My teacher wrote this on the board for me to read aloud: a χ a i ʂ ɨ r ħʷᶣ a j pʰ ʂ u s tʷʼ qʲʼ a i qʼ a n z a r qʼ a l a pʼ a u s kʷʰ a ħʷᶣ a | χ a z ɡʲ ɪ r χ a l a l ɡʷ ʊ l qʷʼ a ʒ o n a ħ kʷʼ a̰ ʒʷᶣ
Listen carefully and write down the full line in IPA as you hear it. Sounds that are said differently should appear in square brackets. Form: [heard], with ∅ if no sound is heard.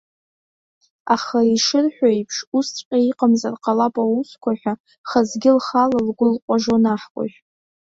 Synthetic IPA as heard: a χ a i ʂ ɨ r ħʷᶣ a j pʰ ʂ u s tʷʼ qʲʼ a i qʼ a [m] z a r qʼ a l a pʼ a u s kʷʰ a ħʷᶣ a | χ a z ɡʲ ɪ [l] χ a l a l ɡʷ ʊ l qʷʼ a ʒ o n a ħ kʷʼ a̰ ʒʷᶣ

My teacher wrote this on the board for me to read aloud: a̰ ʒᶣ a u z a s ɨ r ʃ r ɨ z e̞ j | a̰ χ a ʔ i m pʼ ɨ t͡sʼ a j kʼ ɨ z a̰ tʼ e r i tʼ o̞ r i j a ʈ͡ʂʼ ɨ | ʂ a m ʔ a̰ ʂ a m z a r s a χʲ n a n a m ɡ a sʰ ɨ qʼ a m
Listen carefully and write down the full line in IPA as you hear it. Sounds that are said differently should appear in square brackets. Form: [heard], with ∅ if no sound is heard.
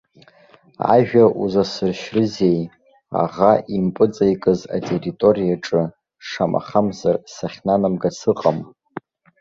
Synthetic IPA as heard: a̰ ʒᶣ a u z a s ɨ r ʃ r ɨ z e̞ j | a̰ [ʁ] a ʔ i m pʼ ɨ t͡sʼ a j kʼ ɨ z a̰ tʼ e r i tʼ o̞ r i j a ʈ͡ʂʼ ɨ | ʂ a m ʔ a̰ [χ] a m z a r s a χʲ n a n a m ɡ a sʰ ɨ qʼ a m

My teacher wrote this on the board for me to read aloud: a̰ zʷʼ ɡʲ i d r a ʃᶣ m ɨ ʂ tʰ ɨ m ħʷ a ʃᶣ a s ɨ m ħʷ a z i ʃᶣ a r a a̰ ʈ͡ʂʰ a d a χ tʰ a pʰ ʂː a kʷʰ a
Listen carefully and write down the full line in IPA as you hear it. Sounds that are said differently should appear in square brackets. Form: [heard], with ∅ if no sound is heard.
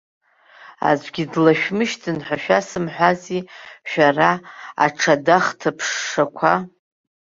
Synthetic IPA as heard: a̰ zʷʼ ɡʲ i d [l] a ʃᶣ m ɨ [ʃ] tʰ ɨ [n] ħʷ a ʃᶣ a s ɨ m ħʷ a z i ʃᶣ a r a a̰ ʈ͡ʂʰ a d a χ tʰ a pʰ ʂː a kʷʰ a

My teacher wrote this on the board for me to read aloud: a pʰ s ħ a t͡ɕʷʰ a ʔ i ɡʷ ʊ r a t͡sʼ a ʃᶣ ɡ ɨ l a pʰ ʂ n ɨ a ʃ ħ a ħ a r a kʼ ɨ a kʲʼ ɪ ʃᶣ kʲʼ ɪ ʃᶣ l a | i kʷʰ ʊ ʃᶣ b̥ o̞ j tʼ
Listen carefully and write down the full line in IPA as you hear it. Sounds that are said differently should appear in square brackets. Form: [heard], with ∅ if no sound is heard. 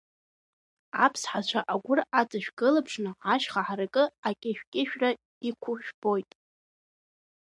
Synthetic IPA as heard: a pʰ s ħ a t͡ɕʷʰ a ʔ [a] ɡʷ ʊ r a t͡sʼ a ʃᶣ ɡ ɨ l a pʰ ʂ n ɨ a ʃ [χ] a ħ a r a kʼ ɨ a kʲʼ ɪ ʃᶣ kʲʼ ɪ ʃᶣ [r] a | i kʷʰ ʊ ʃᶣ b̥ o̞ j tʼ

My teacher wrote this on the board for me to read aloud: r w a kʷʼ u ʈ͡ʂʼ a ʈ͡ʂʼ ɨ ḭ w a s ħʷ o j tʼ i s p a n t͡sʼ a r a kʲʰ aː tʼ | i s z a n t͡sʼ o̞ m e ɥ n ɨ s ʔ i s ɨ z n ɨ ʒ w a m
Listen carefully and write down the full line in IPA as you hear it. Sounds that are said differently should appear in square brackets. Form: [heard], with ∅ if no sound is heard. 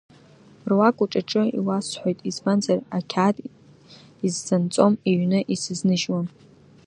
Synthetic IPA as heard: r w a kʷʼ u ʈ͡ʂʼ a ʈ͡ʂʼ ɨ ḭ w a s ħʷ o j tʼ i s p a n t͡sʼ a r a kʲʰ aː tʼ | i [z] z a n t͡sʼ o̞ m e ɥ n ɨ [∅] ʔ i s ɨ z n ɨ ʒ w a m

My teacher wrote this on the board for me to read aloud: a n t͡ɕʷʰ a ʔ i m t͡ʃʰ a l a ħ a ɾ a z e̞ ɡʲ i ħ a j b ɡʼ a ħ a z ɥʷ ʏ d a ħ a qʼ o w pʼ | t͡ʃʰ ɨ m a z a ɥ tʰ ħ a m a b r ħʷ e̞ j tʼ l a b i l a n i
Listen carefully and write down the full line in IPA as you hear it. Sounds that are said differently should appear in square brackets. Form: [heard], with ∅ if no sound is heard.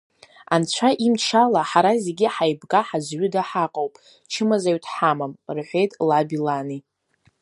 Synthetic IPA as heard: a n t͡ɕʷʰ a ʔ i m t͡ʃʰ a l a ħ a ɾ a z e̞ ɡʲ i ħ a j b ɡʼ a ħ a z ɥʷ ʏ d a ħ a qʼ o w pʼ | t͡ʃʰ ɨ m a z a ɥ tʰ ħ a m a [m] r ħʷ e̞ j tʼ l a b i l a n i

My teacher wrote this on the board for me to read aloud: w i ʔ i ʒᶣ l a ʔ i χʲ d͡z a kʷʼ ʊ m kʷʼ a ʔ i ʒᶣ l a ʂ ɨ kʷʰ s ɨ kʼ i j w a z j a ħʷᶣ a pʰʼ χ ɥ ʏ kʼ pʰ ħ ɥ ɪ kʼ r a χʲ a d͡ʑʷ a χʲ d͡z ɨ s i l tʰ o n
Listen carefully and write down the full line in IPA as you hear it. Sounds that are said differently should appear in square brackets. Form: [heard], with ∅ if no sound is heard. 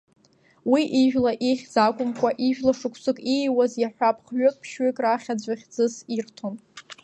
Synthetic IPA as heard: w i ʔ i ʒᶣ l a ʔ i χʲ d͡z a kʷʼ ʊ m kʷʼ a ʔ i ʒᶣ l a ʂ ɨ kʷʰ s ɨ kʼ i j w a z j a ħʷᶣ a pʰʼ χ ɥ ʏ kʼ pʰ [ʃ] ɥ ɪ kʼ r a χʲ a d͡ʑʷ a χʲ d͡z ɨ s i [r] tʰ o n

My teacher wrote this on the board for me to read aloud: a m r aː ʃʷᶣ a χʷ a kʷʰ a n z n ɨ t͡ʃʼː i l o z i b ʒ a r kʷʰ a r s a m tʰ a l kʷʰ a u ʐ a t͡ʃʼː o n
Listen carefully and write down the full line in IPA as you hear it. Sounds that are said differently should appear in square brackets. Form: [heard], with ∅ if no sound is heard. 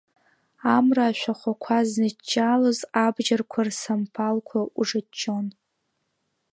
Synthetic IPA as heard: a m r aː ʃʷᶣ a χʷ a kʷʰ a [∅] z n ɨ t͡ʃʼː [a] l o z [a] b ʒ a r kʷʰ a r s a m [pʰ] a l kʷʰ a u ʐ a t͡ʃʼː o n

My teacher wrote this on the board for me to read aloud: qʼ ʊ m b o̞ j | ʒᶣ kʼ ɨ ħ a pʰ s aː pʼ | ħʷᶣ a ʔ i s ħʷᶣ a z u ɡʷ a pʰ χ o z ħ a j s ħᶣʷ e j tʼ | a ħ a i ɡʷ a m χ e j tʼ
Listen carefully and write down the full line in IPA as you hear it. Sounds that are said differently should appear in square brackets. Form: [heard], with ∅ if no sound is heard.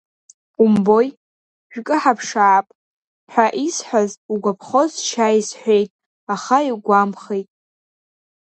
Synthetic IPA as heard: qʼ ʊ m b o̞ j | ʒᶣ kʼ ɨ ħ a pʰ [ʂ] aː pʼ | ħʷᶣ a ʔ i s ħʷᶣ a z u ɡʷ a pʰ χ o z [ʃ] a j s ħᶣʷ e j tʼ | a [χ] a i ɡʷ a m χ e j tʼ

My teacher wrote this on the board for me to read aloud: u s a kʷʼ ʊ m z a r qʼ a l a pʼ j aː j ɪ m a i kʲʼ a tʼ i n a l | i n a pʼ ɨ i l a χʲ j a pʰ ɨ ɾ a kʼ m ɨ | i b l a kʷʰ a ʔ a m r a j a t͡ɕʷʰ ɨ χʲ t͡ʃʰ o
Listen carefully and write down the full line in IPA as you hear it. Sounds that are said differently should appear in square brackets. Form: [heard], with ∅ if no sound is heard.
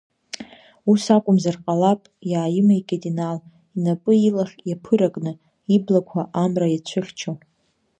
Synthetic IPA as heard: u s a kʷʼ ʊ m z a r qʼ a l a pʼ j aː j ɪ m a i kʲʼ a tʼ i n a l | i n a pʼ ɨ i l a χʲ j a pʰ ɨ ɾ a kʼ [n] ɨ | i b l a kʷʰ a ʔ a m r a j a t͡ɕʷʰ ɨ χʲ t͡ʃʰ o

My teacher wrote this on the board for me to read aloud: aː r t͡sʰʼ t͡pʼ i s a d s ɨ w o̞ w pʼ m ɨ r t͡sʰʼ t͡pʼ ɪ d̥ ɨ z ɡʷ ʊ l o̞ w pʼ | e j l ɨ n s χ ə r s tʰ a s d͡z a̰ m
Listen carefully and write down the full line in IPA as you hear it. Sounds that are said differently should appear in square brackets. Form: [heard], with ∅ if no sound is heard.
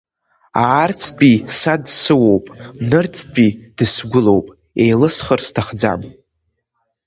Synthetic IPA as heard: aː r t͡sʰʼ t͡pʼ i s a d s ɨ w o̞ w pʼ [n] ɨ r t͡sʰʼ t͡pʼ [i] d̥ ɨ [s] ɡʷ ʊ l o̞ w pʼ | e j l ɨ [∅] s χ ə r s tʰ a [χ] d͡z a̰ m

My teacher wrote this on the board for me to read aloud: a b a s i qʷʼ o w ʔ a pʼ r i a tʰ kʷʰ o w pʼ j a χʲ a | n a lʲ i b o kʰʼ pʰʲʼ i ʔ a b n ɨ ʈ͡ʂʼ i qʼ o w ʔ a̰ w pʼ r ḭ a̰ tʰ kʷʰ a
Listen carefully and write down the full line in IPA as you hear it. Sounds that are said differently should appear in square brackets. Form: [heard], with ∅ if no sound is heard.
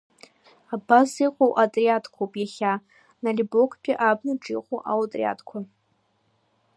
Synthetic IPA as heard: a b a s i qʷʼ o w ʔ a [tʼ] r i a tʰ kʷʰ o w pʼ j a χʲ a | n a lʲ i b o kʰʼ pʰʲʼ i ʔ a b n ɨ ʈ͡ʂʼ i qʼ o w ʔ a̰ w [tʼ] r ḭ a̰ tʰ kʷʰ a

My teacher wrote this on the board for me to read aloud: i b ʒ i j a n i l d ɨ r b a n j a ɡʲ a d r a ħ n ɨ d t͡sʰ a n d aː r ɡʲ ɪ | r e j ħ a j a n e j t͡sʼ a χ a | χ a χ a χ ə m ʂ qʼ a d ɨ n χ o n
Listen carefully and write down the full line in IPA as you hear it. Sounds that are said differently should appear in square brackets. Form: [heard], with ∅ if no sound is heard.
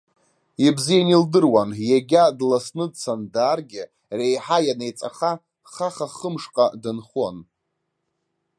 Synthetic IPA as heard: i b [z] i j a n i l d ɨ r [w] a n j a ɡʲ a d [l] a [s] n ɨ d t͡sʰ a n d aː r ɡʲ ɪ | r e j ħ a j a n e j t͡sʼ a χ a | χ a χ a χ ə m ʂ qʼ a d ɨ n χ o n

